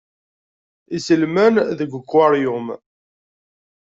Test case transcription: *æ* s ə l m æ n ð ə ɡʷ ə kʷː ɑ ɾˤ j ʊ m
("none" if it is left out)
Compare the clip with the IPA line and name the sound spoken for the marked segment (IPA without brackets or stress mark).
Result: i